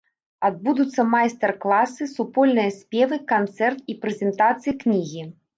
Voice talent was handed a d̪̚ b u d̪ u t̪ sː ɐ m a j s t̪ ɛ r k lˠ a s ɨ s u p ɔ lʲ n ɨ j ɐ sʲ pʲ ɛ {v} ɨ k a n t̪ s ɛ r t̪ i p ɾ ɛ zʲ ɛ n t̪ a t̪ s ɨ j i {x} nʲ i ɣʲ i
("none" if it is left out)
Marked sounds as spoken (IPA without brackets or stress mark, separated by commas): v, k